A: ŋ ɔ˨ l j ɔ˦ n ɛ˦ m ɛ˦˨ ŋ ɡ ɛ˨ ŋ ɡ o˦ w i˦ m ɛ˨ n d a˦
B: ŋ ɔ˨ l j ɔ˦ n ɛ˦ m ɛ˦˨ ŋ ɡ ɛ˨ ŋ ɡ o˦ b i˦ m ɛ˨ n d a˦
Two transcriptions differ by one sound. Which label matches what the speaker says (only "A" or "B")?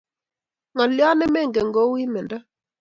A